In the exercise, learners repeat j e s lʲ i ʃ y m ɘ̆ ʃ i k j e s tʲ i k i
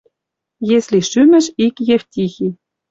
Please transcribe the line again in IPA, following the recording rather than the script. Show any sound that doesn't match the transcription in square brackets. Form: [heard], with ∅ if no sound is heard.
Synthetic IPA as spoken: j e s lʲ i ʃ y m ɘ̆ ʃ i k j e [f] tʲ i [x] i